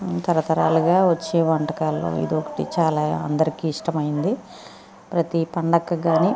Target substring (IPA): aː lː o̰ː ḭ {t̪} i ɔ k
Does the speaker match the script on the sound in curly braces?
no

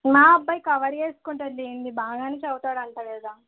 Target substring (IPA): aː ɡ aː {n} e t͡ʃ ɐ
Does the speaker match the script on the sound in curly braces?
yes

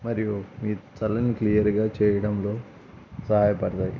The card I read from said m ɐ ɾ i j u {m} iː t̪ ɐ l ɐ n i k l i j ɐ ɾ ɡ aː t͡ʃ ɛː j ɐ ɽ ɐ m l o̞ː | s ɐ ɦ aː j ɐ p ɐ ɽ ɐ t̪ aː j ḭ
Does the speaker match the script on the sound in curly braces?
yes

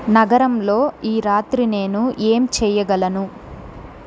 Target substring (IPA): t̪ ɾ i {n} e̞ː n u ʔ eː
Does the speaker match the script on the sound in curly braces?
yes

